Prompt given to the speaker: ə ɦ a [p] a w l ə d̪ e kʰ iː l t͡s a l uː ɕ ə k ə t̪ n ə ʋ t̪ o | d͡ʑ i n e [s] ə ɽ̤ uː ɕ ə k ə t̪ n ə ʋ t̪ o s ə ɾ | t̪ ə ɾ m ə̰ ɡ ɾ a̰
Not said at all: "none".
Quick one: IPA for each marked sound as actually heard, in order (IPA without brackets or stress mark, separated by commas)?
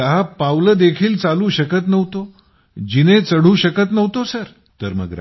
p, t͡s